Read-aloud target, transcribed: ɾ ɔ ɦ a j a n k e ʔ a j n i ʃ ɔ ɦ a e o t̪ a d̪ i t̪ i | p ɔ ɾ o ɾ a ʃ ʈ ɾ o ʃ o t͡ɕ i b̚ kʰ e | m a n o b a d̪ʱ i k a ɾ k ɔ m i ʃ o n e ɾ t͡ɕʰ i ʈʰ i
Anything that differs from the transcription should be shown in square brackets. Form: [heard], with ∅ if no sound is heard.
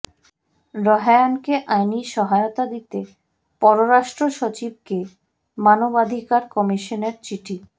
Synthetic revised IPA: ɾ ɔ ɦ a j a n k e ʔ a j n i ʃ ɔ ɦ a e o t̪ a d̪ i t̪ [e] | p ɔ ɾ o ɾ a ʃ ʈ ɾ o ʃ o t͡ɕ i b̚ [k] e | m a n o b a d̪ʱ i k a ɾ k ɔ m i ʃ o n e ɾ [t͡ɕ] i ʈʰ i

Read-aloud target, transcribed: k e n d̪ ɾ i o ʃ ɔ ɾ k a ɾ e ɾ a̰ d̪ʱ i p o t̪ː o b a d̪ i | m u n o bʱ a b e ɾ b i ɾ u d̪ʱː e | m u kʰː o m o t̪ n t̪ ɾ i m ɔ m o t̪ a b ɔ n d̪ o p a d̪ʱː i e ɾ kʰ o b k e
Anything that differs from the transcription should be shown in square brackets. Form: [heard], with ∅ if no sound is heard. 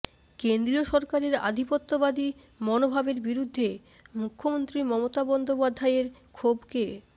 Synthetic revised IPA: k e n d̪ ɾ i o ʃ ɔ ɾ k a ɾ e ɾ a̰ d̪ʱ i p o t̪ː o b a d̪ i | m [ɔ] n o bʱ a b e ɾ b i ɾ u d̪ʱː e | m u kʰː o m o [∅] n t̪ ɾ i m ɔ m o t̪ a b ɔ n d̪ o p a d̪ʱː [a] e ɾ kʰ o b k e

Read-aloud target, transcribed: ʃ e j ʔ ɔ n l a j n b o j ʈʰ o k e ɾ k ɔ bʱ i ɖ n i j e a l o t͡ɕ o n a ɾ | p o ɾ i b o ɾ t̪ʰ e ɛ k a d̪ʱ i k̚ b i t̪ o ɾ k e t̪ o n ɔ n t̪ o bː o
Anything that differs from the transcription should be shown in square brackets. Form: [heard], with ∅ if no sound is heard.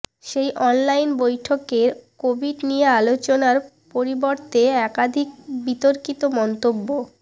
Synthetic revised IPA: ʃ e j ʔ ɔ n l a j n b o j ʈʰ o k e ɾ k [o] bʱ i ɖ n i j e a l o t͡ɕ o n a ɾ | p o ɾ i b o ɾ [t̪] e ɛ k a d̪ʱ i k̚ b i t̪ o ɾ k [i] t̪ o [m] ɔ n t̪ o bː o

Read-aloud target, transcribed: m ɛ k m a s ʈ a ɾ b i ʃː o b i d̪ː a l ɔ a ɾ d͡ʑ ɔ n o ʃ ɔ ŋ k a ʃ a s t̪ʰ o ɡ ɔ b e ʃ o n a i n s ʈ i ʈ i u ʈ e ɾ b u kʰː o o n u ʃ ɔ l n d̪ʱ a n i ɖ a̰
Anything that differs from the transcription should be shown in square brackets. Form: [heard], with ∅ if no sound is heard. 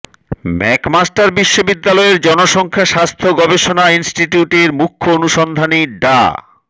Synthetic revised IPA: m ɛ k m a s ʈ a ɾ b i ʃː o b i d̪ː a l ɔ [e] ɾ d͡ʑ ɔ n o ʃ ɔ ŋ [kʰ] a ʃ a s t̪ʰ o ɡ ɔ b e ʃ o n a i n s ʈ i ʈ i u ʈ e ɾ [m] u kʰː o o n u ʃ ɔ [∅] n d̪ʱ a n i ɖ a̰

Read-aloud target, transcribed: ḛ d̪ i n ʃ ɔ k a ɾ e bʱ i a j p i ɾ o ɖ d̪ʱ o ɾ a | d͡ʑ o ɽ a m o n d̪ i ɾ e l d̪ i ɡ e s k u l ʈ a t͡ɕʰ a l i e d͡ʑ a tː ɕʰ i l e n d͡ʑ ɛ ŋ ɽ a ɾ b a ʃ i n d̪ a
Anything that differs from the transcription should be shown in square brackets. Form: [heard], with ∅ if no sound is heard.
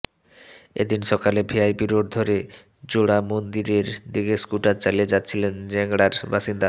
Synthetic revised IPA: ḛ d̪ i n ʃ ɔ k a [l] e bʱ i a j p i ɾ o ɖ d̪ʱ o ɾ [e] | d͡ʑ o ɽ a m o n d̪ i ɾ e [ɾ] d̪ i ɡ e s k u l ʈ a [t͡ɕ] a l i e d͡ʑ a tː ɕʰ i l e n d͡ʑ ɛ ŋ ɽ a ɾ b a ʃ i n d̪ a

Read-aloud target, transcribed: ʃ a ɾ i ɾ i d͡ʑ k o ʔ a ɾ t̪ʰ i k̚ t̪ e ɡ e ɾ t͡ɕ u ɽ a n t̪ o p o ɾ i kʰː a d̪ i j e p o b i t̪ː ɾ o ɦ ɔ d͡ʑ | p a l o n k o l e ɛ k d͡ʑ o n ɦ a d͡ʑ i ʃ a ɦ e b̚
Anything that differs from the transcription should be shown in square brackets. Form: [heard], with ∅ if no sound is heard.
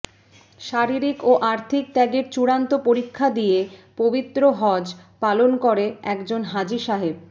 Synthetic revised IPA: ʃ a ɾ i ɾ i [∅] k o ʔ a ɾ t̪ʰ i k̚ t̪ [ɛ] ɡ e ɾ t͡ɕ u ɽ a n t̪ o p o ɾ i kʰː a d̪ i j e p o b i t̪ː ɾ o ɦ ɔ d͡ʑ | p a l o n k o [ɾ] e ɛ k d͡ʑ o n ɦ a d͡ʑ i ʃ a ɦ e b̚

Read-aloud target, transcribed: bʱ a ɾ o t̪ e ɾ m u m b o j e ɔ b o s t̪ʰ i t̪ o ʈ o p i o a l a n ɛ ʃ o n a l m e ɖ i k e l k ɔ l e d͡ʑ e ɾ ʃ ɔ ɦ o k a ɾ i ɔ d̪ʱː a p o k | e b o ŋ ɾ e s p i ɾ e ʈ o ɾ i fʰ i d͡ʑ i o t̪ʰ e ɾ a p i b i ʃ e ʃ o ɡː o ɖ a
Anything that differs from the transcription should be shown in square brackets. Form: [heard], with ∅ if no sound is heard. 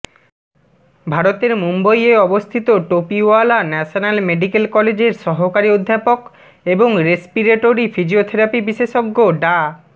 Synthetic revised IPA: bʱ a ɾ o t̪ e ɾ m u m b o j e ɔ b o s t̪ʰ i t̪ o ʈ o p i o a l a n ɛ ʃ o n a l m e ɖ i k e l k ɔ l e d͡ʑ e ɾ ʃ ɔ ɦ o k a ɾ i [o] d̪ʱː a p o k | e b o ŋ ɾ e s p i ɾ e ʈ o ɾ i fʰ i d͡ʑ i o t̪ʰ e ɾ a p i b i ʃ e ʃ o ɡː o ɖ a

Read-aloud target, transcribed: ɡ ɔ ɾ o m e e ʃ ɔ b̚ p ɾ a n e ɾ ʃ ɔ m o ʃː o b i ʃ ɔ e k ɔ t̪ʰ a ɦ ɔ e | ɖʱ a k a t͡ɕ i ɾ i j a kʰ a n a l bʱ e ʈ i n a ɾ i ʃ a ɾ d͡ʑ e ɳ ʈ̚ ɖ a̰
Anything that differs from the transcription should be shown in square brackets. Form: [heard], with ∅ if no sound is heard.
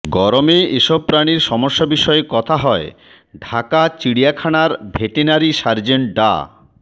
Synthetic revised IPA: ɡ ɔ ɾ o m e e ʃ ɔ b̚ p ɾ a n [i] ɾ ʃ ɔ m o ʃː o b i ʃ ɔ e k ɔ t̪ʰ a ɦ ɔ e | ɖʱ a k a t͡ɕ i [ɽ] i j a kʰ a n a [ɾ] bʱ e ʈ i n a ɾ i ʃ a ɾ d͡ʑ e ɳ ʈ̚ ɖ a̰

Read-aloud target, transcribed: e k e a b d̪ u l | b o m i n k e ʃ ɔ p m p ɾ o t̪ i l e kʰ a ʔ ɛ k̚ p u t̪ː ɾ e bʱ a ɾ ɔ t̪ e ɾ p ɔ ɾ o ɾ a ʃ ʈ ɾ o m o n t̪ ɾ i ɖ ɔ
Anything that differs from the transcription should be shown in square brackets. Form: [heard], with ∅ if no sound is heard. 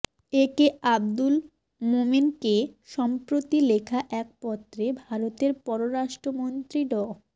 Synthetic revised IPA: e k e a b d̪ u l | [m] o m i n k e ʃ ɔ [∅] m p ɾ o t̪ i l e kʰ a ʔ ɛ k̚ p [ɔ] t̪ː ɾ e bʱ a ɾ [o] t̪ e ɾ p ɔ ɾ o ɾ a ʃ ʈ ɾ o m o n t̪ ɾ i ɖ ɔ

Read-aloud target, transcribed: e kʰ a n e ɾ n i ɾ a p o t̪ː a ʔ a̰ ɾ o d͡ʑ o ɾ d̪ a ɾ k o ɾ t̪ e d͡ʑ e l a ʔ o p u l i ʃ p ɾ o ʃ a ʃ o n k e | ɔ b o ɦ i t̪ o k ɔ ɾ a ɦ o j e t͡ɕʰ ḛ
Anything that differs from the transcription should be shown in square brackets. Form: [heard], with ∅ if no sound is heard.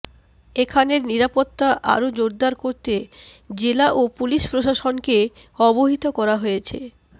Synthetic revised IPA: e kʰ a n e ɾ n i ɾ a p o t̪ː a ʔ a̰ ɾ o d͡ʑ o ɾ d̪ a ɾ k o ɾ t̪ e d͡ʑ e l a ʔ o p u l i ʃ p ɾ o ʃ a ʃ o n k e | ɔ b o ɦ i t̪ o k ɔ ɾ a ɦ o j e t͡ɕʰ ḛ

